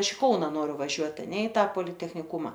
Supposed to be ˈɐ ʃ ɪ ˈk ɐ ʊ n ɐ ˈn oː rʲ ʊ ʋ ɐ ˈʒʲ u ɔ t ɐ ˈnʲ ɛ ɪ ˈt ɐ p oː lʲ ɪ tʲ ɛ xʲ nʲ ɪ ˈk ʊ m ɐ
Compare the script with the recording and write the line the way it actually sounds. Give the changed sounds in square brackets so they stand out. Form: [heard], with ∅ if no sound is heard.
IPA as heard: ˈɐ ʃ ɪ ˈk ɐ ʊ n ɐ ˈn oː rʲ ʊ ʋ ɐ ˈʒʲ u ɔ t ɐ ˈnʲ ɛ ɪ ˈt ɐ p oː lʲ ɪ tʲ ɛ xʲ nʲ ɪ ˈk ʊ m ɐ